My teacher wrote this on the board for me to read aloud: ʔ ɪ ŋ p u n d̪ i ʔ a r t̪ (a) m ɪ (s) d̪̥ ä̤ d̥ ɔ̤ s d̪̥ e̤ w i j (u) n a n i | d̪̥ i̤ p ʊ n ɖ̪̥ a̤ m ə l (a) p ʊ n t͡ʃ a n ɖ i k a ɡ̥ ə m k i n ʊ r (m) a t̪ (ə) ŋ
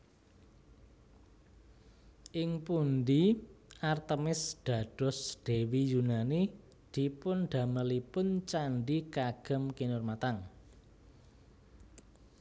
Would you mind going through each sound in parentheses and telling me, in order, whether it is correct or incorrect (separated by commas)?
incorrect, correct, correct, incorrect, correct, incorrect